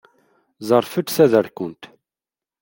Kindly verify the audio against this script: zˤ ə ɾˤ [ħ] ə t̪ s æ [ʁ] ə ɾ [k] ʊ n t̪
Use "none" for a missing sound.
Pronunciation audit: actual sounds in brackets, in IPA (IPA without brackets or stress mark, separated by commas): f, ð, k